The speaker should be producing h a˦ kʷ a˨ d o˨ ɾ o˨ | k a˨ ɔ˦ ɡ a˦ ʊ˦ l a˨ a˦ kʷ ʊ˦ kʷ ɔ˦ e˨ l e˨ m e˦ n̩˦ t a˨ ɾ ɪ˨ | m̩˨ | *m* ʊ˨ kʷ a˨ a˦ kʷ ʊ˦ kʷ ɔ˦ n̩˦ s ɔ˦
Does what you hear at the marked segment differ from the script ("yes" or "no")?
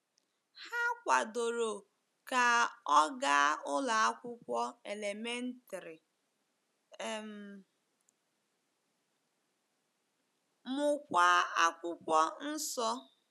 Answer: no